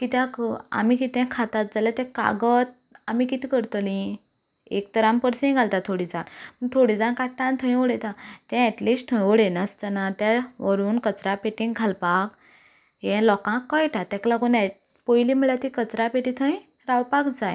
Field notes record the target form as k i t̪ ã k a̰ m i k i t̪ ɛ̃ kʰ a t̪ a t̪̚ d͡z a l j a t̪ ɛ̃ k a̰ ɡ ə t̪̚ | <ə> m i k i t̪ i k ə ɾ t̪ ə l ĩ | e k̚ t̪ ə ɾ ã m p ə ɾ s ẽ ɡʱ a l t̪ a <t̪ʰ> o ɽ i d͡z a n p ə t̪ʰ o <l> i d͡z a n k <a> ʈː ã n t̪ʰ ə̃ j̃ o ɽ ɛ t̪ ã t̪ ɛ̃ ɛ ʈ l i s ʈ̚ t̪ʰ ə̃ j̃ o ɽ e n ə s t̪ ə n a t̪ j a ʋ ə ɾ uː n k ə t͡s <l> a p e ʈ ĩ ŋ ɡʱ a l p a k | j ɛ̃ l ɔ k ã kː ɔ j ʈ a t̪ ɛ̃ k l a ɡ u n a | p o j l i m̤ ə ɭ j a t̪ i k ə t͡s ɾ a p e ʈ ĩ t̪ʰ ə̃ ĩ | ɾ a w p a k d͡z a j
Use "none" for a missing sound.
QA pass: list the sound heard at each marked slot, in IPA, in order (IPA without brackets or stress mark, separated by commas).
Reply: a, t̪ʰ, ɽ, a, ɾ